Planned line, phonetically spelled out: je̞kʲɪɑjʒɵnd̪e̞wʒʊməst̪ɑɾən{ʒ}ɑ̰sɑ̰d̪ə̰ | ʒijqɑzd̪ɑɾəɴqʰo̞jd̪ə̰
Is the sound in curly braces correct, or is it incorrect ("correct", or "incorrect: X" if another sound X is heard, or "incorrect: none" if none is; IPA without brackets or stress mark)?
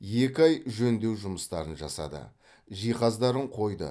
correct